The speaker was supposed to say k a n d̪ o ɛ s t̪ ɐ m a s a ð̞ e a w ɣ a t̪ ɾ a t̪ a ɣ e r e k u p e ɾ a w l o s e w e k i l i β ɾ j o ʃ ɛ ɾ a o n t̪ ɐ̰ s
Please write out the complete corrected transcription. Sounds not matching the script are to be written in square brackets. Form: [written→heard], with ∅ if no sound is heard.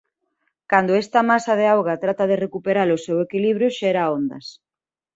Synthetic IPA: k a n d̪ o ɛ s t̪ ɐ m a s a ð̞ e a w ɣ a t̪ ɾ a t̪ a [ɣ→ð] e r e k u p e ɾ a [w→∅] l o s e w e k i l i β ɾ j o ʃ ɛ ɾ a o n [t̪→d̪] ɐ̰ s